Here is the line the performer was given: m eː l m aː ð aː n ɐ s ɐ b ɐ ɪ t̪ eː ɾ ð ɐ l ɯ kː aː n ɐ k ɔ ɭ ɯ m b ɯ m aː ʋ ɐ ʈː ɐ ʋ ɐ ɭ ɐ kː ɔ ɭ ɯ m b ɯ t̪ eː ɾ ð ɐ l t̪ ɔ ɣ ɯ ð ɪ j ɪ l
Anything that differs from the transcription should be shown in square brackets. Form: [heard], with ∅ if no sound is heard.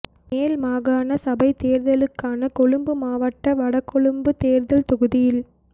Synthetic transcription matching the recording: m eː l m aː [ɣ] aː n ɐ s ɐ b ɐ ɪ t̪ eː ɾ ð ɐ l ɯ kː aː n ɐ k ɔ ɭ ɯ m b ɯ m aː ʋ ɐ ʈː ɐ ʋ ɐ [ɽ] ɐ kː ɔ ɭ ɯ m b ɯ t̪ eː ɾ ð ɐ l t̪ ɔ ɣ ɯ ð ɪ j ɪ l